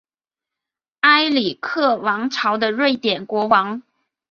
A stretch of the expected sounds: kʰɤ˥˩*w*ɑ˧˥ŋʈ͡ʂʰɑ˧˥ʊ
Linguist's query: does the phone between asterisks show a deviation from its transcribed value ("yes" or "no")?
no